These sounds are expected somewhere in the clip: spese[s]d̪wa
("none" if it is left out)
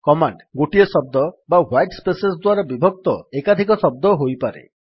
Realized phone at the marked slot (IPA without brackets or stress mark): s